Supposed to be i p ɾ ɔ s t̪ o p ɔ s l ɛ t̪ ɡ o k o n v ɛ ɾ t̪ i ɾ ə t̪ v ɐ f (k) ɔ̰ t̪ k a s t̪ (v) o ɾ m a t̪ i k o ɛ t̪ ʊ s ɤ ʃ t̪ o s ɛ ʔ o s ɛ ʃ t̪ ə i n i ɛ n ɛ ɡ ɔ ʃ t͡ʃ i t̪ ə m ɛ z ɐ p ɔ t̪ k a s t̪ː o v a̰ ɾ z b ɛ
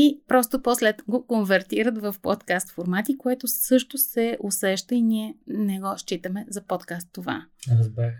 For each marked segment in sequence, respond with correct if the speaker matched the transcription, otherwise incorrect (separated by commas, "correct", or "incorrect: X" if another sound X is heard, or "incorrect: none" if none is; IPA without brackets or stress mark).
incorrect: p, incorrect: f